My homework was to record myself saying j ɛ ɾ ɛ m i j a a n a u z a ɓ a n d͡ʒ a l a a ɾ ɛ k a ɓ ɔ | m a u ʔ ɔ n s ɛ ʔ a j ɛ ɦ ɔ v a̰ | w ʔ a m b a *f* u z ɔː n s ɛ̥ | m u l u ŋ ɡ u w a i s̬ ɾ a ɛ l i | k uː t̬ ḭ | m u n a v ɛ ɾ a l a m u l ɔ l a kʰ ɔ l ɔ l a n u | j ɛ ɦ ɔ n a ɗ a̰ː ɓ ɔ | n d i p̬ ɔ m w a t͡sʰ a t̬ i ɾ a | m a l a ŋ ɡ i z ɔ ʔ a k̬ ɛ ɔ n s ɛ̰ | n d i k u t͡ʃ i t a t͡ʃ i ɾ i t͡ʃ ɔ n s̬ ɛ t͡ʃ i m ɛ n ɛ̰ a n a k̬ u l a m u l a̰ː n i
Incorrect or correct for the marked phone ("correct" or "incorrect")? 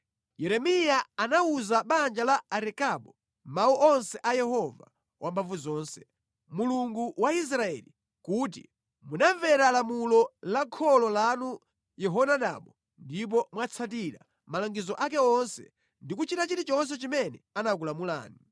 incorrect